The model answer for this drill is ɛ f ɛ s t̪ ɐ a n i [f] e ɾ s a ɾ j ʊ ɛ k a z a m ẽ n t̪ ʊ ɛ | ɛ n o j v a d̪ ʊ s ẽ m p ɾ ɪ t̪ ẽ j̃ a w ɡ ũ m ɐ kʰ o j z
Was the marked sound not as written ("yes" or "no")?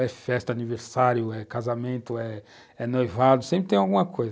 yes